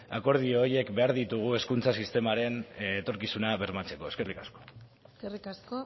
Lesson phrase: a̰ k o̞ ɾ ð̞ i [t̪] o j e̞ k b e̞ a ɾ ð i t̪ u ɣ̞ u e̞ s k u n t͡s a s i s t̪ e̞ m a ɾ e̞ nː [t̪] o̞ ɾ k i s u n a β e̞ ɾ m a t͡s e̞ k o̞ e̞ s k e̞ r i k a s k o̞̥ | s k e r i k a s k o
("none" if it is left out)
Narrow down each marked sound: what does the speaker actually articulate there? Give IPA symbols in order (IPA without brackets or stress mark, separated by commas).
none, t̪